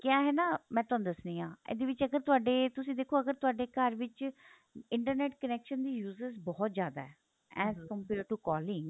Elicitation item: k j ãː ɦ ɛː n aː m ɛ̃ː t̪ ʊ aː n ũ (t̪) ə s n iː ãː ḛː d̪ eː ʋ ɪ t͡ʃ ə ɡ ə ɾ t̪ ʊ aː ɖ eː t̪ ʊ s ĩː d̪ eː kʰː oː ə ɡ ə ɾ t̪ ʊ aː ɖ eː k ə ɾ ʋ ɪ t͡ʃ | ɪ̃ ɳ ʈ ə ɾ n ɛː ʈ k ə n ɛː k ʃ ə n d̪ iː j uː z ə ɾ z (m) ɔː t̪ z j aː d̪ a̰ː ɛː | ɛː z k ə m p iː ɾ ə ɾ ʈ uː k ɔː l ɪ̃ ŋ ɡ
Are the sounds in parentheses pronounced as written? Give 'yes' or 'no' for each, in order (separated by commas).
no, no